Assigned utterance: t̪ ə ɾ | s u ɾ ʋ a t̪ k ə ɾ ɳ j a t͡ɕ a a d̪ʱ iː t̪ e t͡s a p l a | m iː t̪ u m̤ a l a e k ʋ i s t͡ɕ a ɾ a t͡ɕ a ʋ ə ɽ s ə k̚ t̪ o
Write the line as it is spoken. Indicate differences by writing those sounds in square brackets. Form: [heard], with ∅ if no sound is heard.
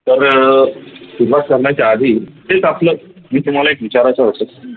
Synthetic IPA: t̪ ə ɾ | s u ɾ ʋ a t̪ k ə ɾ ɳ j a t͡ɕ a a d̪ʱ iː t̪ e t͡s a p l [ə] | m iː t̪ u m̤ a l a e k ʋ i [∅] t͡ɕ a ɾ a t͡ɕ a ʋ ə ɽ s ə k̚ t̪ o